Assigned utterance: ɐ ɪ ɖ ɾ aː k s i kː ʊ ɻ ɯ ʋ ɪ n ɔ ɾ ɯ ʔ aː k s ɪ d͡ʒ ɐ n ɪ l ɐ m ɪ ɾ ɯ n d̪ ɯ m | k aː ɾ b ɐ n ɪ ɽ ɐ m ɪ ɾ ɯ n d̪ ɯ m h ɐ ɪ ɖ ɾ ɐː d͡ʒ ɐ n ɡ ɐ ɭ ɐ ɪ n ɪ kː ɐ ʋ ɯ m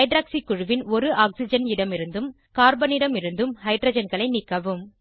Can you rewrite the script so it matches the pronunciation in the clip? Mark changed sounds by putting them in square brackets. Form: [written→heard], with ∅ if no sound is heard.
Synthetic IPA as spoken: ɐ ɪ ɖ ɾ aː k s i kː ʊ ɻ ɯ ʋ ɪ n ɔ ɾ ɯ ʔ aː k s ɪ d͡ʒ ɐ n ɪ [l→ɽ] ɐ m ɪ ɾ ɯ n d̪ ɯ m | k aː ɾ b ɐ n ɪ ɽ ɐ m ɪ ɾ ɯ n d̪ ɯ m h ɐ ɪ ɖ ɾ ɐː d͡ʒ ɐ n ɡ ɐ ɭ ɐ ɪ n ɪ kː ɐ ʋ ɯ m

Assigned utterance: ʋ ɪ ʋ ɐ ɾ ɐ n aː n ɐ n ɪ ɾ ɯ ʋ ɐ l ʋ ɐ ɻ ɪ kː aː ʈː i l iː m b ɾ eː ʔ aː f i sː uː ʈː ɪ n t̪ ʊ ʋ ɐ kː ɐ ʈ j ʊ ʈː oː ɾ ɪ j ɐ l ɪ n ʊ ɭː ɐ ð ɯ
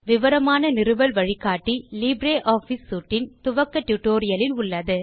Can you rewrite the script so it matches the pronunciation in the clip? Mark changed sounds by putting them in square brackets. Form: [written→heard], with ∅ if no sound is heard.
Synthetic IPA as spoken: ʋ ɪ ʋ ɐ ɾ ɐ [n→m] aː n ɐ n ɪ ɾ ɯ ʋ ɐ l ʋ ɐ ɻ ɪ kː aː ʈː i l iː [m→∅] b ɾ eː ʔ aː f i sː uː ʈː ɪ n t̪ ʊ ʋ ɐ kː ɐ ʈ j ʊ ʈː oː ɾ ɪ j ɐ l ɪ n ʊ ɭː ɐ ð ɯ

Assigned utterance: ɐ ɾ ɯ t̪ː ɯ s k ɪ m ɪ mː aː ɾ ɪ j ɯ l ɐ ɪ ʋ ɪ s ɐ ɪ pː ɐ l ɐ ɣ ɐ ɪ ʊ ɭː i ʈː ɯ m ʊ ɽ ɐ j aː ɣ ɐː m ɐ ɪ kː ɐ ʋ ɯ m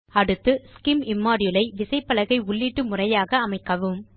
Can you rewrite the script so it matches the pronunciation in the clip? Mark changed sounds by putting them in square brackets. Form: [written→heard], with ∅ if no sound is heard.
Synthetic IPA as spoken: ɐ [ɾ→ɽ] ɯ t̪ː ɯ s k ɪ m ɪ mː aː ɾ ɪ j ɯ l ɐ ɪ ʋ ɪ s ɐ ɪ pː ɐ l ɐ ɣ ɐ ɪ ʊ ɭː i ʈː ɯ m ʊ [ɽ→r] ɐ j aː ɣ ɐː m ɐ ɪ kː ɐ ʋ ɯ m

